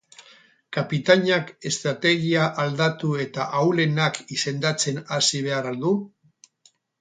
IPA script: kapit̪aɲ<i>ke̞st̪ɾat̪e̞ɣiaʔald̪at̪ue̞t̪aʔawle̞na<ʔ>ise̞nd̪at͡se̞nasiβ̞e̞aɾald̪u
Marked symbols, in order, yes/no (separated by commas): no, no